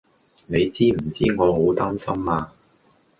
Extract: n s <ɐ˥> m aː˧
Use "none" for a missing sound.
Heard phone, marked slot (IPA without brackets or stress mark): ɐ˥